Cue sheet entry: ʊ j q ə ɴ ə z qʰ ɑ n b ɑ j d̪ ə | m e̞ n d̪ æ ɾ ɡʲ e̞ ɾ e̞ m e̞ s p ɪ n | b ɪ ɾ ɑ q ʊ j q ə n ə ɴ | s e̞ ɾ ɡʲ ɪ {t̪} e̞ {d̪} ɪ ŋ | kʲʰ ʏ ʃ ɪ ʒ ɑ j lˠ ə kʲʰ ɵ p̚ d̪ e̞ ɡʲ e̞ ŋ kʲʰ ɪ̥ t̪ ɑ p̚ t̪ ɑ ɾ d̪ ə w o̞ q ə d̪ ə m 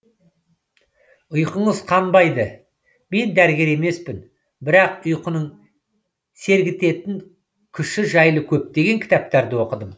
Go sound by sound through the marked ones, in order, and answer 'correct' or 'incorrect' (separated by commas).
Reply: correct, incorrect